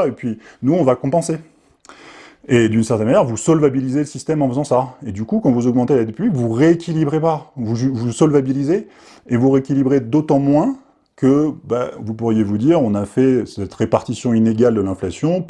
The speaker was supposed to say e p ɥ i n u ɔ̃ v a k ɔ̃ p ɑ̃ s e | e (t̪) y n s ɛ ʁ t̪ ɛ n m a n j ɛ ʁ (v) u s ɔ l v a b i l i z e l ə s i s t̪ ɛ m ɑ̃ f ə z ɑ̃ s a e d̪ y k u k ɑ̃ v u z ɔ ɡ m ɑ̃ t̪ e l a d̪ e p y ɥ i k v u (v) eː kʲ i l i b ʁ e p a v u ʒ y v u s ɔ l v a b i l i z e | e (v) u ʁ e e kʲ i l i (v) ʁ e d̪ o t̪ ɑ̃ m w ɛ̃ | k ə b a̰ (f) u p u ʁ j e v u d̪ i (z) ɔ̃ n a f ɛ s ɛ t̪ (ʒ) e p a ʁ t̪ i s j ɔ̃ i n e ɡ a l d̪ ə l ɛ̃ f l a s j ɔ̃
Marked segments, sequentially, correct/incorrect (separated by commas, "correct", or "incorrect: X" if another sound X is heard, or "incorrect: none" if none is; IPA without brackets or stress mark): incorrect: d̪, correct, incorrect: ʁ, correct, incorrect: b, incorrect: v, incorrect: ʁ, incorrect: ʁ